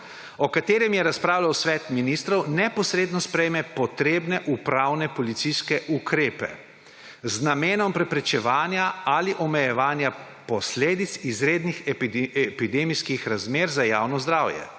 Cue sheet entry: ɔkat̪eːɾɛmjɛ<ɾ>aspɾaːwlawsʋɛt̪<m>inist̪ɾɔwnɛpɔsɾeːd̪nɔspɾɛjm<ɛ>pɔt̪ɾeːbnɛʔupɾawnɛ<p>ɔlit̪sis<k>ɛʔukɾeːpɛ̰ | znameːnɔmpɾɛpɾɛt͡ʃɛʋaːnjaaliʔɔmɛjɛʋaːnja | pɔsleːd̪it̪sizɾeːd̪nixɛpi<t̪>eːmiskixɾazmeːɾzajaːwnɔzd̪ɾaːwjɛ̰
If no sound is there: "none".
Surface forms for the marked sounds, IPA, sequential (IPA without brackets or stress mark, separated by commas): ɾ, m, ɛ, p, k, d̪